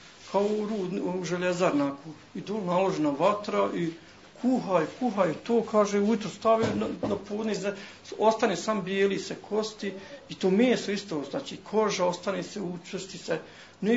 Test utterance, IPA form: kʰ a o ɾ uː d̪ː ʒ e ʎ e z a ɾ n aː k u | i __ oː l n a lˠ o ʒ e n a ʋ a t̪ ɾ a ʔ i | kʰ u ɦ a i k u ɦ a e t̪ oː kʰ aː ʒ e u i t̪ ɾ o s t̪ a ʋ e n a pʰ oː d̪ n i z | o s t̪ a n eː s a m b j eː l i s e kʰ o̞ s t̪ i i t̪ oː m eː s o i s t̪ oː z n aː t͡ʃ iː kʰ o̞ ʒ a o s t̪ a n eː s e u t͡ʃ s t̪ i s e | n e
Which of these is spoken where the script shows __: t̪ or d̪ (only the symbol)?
d̪